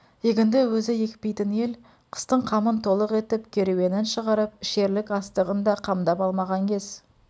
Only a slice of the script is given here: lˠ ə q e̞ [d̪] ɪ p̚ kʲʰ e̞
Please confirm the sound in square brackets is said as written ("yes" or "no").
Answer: no